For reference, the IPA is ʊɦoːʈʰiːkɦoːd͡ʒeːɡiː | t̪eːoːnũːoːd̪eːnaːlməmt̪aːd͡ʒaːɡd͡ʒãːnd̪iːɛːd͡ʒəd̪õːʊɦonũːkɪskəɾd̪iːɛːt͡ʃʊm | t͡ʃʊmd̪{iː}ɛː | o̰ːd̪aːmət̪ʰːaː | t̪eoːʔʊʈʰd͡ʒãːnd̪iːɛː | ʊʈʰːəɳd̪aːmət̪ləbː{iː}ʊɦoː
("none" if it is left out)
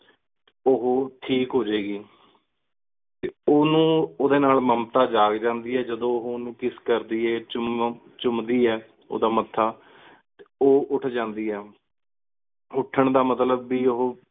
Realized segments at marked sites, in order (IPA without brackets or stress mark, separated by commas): iː, iː